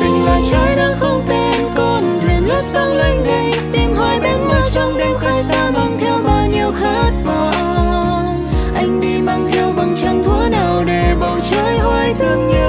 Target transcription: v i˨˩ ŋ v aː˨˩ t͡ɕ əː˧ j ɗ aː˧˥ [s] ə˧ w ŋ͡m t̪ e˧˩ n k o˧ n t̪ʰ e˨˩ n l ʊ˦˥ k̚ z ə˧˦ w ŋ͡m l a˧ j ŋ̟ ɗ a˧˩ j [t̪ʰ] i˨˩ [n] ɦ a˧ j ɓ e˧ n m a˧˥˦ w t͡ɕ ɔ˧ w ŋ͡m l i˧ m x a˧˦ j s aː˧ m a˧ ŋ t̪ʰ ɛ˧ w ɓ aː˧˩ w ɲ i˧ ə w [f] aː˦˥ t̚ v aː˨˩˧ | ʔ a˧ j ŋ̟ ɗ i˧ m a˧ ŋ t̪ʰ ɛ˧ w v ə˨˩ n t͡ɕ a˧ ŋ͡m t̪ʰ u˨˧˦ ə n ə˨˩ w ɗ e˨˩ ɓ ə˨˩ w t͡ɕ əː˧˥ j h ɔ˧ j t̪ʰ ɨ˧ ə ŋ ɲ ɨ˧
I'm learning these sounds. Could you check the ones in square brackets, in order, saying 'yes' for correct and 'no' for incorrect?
no, no, no, no

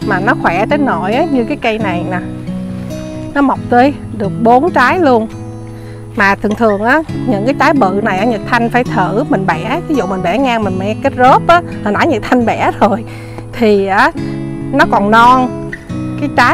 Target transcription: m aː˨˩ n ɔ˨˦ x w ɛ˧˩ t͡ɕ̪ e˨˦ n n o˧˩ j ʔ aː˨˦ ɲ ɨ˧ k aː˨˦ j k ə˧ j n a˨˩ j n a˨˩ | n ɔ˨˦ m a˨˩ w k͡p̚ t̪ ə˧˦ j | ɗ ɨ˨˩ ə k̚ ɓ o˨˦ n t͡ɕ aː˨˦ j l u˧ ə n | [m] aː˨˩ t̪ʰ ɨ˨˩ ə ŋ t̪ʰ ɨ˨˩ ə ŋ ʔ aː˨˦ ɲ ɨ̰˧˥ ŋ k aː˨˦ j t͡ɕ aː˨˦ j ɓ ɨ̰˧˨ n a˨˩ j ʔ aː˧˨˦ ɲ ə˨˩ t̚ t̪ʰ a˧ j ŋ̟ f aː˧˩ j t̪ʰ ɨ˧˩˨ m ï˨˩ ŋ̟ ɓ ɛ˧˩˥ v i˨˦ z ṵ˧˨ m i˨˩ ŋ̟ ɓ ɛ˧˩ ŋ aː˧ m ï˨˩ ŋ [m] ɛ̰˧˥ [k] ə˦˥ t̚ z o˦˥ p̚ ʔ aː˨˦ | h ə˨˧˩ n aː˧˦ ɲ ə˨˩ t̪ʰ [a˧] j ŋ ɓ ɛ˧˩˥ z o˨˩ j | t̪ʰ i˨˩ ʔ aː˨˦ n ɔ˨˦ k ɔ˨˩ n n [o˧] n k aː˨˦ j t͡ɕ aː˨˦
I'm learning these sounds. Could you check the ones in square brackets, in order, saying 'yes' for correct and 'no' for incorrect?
yes, yes, yes, yes, no

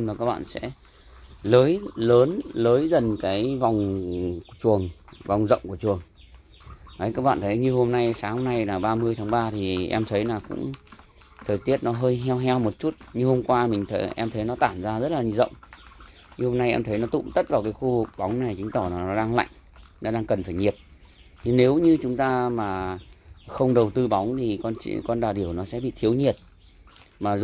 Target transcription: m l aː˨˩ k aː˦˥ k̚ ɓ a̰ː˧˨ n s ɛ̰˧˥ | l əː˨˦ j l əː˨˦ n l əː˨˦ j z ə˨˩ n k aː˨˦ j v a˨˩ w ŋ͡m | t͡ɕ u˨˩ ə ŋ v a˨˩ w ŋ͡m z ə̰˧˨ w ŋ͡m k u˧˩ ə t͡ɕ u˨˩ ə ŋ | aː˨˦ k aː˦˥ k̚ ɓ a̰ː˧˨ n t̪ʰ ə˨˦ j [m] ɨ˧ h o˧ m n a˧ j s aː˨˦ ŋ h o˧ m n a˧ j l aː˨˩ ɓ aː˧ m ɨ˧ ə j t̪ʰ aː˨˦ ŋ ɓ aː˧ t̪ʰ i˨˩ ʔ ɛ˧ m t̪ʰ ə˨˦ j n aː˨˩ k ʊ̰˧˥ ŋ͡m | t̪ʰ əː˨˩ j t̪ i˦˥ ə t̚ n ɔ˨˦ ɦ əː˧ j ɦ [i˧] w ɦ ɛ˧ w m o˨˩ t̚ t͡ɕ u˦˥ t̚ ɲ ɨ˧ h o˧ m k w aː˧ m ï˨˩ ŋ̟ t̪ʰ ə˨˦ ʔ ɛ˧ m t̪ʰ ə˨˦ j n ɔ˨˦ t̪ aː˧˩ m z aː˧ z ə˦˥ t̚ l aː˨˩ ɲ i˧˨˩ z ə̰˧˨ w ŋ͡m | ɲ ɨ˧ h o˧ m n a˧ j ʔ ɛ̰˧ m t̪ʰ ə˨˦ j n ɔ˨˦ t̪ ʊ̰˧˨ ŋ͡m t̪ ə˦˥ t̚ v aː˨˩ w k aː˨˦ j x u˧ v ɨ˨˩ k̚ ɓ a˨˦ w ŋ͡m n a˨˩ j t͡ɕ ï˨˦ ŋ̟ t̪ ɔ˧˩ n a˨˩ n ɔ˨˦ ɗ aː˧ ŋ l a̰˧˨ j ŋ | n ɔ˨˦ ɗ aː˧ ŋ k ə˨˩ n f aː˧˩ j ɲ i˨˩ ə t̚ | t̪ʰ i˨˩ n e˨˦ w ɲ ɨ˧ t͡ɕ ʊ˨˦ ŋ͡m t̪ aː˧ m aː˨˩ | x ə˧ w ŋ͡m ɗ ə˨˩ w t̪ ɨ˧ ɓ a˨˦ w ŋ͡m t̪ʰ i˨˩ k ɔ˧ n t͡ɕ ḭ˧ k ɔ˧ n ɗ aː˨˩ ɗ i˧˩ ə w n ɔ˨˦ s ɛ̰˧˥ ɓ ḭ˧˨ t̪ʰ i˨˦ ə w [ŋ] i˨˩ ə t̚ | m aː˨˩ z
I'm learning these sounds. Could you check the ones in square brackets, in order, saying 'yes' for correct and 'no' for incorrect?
no, no, no

